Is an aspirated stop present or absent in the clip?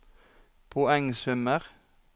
present